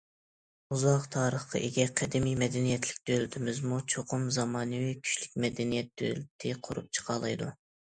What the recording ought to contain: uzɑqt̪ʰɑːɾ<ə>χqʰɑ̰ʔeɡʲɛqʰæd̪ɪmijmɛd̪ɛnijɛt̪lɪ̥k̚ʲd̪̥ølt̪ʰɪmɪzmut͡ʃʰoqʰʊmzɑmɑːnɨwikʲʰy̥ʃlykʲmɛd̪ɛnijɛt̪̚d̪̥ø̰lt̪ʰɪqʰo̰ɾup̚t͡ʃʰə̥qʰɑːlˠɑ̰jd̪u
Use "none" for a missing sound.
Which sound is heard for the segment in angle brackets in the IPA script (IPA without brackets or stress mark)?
ə